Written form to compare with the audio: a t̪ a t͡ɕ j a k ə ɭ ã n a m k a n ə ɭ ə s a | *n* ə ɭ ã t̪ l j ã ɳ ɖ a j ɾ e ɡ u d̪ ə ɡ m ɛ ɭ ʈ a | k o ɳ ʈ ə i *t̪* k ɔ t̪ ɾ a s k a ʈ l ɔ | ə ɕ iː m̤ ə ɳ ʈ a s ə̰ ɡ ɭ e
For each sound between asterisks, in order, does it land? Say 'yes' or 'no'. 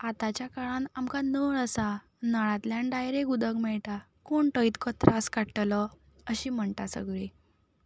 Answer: yes, yes

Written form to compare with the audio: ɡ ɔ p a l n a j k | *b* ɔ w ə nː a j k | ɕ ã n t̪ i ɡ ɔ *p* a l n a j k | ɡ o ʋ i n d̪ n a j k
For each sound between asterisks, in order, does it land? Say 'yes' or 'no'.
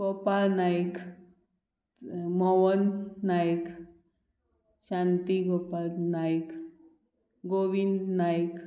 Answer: no, yes

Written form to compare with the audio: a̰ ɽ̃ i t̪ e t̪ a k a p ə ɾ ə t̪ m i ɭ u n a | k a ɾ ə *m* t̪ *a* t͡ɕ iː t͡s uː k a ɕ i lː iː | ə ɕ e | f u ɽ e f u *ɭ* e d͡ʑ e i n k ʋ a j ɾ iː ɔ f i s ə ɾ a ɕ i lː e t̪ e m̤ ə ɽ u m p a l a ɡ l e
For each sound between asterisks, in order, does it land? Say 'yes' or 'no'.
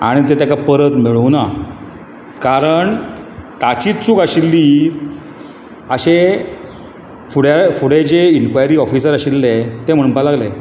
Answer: no, yes, no

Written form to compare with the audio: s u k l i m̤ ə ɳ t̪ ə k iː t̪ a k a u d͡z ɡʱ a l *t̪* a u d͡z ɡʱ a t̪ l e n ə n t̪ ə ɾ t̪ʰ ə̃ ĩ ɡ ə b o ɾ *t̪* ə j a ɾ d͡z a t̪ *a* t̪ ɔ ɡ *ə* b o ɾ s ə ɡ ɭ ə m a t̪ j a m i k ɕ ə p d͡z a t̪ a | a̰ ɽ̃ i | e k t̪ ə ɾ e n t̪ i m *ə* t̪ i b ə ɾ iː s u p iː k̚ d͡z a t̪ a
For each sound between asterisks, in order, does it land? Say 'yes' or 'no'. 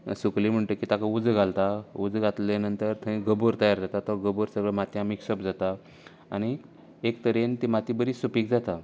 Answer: yes, yes, yes, yes, no

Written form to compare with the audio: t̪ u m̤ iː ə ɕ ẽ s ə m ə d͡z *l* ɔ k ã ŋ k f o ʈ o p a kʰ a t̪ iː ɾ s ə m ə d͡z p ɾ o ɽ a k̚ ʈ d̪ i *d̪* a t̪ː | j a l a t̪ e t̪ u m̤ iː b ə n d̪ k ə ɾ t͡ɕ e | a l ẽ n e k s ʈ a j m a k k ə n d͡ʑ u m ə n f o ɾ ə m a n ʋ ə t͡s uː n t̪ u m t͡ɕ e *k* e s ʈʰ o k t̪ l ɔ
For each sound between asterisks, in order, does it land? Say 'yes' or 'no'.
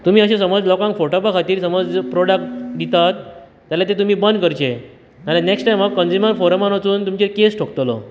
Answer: yes, no, yes

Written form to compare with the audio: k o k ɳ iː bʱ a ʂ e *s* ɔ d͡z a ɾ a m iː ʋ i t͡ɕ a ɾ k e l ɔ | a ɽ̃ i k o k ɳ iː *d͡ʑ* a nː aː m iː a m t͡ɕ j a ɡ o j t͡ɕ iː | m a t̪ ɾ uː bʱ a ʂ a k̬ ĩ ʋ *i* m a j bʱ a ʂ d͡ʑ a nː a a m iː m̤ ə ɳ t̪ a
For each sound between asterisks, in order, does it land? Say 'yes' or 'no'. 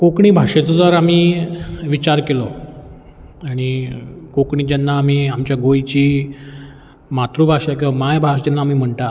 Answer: no, yes, no

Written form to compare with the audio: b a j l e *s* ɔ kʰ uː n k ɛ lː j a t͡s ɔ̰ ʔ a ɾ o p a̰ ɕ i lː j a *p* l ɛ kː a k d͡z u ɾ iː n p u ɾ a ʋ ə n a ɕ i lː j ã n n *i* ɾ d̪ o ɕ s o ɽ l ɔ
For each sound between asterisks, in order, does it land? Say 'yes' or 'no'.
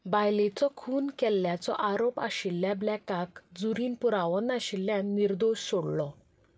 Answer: no, no, yes

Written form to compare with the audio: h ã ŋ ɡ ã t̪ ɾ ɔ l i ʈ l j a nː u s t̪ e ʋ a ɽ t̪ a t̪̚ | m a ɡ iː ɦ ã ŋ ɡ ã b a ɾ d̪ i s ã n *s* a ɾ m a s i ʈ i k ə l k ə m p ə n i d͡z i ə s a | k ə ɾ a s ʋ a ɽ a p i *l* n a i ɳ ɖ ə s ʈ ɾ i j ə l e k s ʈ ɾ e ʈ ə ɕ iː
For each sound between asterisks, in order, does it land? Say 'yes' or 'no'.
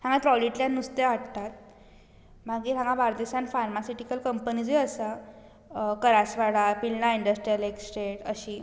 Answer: no, yes

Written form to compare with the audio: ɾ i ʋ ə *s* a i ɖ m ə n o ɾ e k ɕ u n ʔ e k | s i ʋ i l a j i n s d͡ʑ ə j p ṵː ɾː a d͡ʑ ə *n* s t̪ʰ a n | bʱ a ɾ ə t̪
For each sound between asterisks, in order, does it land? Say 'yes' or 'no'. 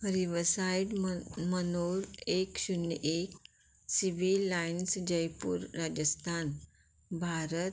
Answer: yes, no

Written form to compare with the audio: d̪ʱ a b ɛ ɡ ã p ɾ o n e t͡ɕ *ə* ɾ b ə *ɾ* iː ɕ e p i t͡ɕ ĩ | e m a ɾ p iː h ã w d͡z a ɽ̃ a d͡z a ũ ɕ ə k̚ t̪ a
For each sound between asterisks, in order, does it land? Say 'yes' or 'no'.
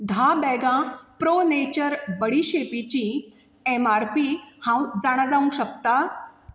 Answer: yes, no

